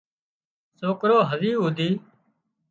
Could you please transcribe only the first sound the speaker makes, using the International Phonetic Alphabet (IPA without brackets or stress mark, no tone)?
s